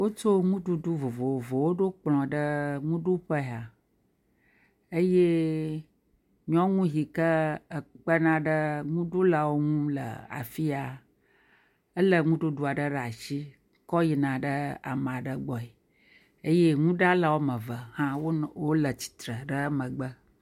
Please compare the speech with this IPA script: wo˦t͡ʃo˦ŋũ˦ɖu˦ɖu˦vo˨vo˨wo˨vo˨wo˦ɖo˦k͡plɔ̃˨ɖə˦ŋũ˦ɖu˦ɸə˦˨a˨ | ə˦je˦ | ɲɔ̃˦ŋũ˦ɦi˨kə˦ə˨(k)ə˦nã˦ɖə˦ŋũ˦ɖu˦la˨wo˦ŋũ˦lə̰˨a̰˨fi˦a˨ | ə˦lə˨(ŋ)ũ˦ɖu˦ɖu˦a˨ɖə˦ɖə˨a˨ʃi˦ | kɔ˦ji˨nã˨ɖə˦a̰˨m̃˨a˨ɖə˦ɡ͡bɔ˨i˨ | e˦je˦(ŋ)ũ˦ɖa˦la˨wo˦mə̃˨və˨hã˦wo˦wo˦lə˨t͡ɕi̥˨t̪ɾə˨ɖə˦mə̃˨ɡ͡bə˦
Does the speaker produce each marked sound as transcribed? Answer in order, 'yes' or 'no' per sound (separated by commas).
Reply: no, yes, yes